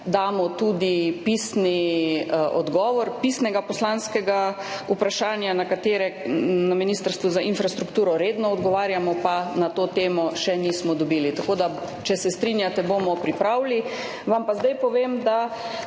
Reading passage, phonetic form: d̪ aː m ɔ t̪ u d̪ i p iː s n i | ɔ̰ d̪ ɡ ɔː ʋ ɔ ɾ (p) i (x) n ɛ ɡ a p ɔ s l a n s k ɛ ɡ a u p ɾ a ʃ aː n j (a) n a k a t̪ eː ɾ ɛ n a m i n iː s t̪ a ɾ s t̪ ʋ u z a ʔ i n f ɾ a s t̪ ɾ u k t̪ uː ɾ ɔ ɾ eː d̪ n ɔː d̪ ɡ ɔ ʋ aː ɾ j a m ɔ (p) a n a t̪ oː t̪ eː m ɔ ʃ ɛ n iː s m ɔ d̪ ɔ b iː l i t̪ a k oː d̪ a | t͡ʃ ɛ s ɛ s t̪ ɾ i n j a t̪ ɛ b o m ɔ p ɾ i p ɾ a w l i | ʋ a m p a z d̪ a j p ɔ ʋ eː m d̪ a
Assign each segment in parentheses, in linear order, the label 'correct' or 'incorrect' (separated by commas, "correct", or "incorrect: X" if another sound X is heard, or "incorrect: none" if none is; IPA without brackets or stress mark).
correct, incorrect: s, correct, correct